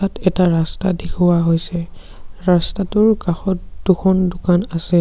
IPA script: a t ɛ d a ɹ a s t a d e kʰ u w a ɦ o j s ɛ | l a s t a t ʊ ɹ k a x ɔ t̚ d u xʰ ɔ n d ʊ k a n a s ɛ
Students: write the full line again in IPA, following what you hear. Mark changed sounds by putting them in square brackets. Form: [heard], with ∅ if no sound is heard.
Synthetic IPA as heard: a t ɛ [t] a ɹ a s t a d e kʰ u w a ɦ o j s ɛ | [ɹ] a s t a t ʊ ɹ k a x ɔ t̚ d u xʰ ɔ n d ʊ k a n a s ɛ